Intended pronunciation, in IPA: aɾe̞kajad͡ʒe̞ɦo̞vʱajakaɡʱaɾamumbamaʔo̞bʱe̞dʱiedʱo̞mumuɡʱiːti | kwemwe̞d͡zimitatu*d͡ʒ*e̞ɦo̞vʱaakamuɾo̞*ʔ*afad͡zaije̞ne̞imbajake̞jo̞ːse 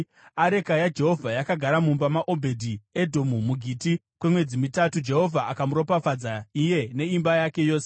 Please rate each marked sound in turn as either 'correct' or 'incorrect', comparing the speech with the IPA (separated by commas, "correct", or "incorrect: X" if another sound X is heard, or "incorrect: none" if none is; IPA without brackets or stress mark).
correct, incorrect: p